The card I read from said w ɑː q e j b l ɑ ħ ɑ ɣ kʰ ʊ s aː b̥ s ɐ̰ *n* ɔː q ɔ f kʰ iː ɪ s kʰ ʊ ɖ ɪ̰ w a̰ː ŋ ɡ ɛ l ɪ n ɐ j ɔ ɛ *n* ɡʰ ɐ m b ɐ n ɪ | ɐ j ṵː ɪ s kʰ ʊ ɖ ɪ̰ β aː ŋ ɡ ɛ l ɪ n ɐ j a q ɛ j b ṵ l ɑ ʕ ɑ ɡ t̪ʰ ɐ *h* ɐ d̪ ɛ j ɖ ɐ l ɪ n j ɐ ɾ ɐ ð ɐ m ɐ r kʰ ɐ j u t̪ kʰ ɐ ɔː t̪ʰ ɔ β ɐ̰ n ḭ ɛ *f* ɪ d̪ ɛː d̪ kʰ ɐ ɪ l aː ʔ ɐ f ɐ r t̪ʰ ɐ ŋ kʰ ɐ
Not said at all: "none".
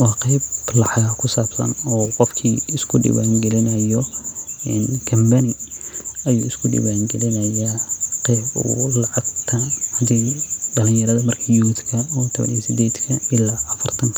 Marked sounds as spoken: n, n, h, s

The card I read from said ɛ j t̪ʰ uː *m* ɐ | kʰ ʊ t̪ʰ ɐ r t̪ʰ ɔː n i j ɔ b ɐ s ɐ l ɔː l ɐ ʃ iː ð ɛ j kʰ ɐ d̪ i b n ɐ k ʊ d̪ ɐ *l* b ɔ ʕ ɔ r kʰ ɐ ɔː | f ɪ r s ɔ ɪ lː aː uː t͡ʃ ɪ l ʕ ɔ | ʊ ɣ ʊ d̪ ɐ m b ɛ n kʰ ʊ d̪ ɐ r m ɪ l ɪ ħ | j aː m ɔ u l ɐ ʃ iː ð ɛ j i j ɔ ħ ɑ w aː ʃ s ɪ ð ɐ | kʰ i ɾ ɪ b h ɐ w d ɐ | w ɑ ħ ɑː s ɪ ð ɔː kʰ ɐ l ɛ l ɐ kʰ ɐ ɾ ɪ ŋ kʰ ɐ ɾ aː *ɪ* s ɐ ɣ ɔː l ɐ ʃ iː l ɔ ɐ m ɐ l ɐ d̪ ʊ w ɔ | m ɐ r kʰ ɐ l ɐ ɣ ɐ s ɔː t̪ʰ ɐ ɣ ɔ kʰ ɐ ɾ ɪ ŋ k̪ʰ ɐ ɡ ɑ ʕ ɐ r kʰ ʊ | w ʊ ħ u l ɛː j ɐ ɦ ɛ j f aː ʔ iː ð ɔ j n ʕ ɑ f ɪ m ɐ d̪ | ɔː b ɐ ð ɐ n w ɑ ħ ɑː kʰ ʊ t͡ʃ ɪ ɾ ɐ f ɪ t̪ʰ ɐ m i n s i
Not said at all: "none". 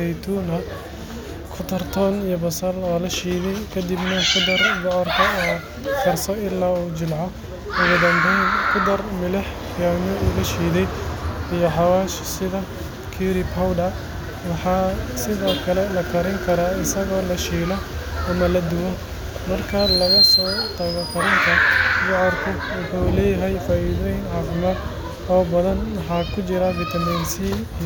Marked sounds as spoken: n, r, ɪ

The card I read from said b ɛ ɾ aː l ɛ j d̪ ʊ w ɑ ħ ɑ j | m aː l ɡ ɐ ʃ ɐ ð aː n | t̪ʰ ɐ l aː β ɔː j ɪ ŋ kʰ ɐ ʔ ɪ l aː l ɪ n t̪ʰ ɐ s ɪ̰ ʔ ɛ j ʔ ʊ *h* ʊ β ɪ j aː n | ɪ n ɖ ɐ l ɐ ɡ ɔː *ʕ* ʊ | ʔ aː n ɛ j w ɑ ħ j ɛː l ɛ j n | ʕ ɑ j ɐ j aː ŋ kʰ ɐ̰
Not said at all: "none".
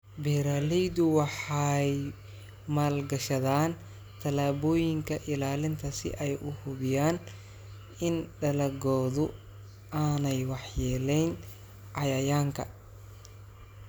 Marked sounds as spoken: h, ð

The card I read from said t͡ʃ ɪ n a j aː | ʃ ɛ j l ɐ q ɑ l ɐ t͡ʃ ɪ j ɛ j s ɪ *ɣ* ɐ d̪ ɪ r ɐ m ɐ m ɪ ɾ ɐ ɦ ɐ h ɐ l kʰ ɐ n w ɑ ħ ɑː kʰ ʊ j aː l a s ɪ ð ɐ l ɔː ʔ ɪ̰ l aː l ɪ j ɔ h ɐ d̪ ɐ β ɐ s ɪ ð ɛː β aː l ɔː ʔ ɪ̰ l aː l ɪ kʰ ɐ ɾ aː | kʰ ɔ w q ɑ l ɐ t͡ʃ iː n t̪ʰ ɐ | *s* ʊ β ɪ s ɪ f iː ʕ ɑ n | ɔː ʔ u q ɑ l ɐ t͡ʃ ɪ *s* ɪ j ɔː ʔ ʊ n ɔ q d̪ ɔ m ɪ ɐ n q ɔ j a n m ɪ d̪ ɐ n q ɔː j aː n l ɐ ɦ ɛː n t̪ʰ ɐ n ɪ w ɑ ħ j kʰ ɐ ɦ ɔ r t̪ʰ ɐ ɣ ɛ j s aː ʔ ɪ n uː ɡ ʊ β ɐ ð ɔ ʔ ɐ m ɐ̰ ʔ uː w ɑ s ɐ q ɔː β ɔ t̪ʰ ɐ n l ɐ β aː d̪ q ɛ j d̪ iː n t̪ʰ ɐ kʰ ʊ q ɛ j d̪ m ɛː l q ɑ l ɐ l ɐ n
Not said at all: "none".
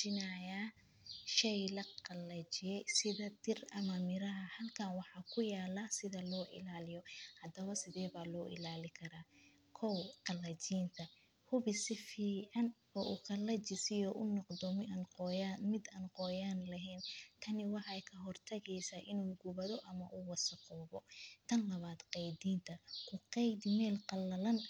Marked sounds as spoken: ð, h, s

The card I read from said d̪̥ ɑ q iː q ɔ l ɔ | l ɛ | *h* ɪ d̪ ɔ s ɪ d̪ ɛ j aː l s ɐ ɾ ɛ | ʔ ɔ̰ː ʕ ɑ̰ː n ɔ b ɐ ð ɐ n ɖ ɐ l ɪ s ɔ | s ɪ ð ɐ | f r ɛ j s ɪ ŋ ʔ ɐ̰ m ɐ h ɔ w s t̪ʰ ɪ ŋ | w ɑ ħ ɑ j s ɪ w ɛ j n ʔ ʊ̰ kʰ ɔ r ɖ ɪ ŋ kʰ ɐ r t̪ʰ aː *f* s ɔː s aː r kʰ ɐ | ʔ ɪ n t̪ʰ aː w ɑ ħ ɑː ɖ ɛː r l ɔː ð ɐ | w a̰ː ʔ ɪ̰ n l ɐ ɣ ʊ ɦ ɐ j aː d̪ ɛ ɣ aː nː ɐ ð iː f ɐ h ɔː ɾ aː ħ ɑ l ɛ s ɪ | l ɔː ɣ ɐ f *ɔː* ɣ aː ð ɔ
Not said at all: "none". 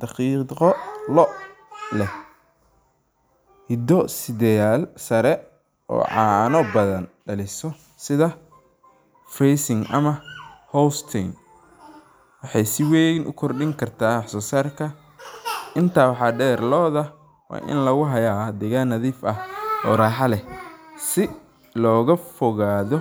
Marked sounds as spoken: h, ħ, ɔ

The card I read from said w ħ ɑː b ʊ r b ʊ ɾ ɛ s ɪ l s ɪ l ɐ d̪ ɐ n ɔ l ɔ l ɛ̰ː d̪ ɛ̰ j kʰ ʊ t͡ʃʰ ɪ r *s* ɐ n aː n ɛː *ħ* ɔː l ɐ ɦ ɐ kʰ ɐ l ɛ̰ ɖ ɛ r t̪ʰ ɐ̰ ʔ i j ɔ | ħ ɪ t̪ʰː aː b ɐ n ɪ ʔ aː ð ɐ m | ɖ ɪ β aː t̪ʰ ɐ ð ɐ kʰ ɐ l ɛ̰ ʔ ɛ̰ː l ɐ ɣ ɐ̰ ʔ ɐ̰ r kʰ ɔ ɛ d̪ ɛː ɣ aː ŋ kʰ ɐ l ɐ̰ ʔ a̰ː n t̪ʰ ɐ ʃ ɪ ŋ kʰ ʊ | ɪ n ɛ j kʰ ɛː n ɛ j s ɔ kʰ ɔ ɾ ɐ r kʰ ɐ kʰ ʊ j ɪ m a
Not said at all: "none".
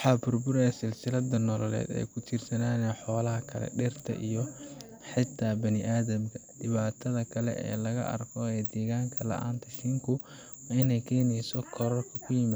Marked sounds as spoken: s, ħ

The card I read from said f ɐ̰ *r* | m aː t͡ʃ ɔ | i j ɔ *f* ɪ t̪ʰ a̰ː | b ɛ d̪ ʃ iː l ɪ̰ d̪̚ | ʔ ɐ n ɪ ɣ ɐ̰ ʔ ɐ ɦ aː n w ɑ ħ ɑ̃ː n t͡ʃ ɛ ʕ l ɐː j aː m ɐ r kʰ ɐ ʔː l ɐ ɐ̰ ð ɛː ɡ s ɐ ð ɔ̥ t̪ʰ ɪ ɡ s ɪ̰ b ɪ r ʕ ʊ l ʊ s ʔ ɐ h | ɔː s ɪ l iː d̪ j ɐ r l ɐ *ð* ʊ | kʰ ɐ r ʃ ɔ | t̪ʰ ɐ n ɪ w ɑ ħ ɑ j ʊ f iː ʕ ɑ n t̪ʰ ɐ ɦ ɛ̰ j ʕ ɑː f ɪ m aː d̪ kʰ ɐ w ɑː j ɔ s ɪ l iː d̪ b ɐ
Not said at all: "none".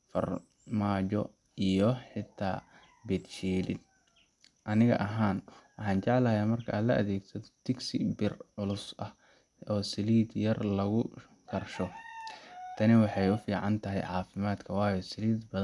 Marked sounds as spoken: r, ħ, ɣ

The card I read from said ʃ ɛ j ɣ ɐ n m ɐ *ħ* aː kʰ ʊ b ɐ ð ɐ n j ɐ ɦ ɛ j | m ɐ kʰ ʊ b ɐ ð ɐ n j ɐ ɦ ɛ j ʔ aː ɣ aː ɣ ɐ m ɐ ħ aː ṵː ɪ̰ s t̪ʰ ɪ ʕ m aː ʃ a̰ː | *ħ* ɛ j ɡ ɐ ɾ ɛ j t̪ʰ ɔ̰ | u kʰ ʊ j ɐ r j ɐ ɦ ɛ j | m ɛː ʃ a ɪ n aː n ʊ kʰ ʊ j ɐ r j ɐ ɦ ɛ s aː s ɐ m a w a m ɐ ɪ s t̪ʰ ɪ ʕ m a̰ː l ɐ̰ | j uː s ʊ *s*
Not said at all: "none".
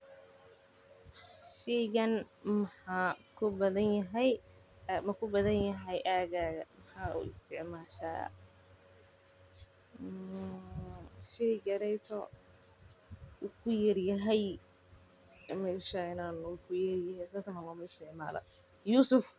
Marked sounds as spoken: ħ, ʃ, f

